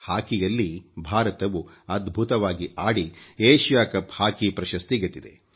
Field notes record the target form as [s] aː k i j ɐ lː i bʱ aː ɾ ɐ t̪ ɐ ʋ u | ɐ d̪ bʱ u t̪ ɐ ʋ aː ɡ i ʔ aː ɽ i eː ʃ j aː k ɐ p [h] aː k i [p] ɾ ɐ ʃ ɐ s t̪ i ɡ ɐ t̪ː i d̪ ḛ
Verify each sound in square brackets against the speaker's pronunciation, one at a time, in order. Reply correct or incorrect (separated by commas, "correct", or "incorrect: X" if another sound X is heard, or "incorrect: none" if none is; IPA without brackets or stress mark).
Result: incorrect: h, correct, correct